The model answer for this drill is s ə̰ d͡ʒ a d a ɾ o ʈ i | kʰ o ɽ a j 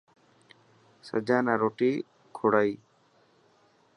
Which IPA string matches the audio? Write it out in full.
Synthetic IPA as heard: s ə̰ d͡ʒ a n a ɾ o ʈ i | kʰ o ɽ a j